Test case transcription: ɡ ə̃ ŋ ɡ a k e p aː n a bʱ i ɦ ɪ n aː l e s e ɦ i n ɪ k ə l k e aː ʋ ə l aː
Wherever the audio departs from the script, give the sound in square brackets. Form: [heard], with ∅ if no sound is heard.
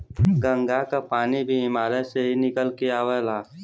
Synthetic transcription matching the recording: ɡ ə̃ ŋ ɡ a k [a] p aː n [i] bʱ i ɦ ɪ [m] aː l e s e ɦ i n ɪ k ə l k e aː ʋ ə l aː